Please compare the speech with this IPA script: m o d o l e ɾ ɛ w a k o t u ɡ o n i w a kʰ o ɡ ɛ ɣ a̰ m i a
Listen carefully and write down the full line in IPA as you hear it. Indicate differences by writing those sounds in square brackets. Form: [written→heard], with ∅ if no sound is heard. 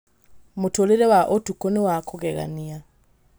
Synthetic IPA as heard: m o [d→t] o l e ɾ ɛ w a [k→ʔ] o t u [ɡ→k] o n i w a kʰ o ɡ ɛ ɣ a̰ [m→n] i a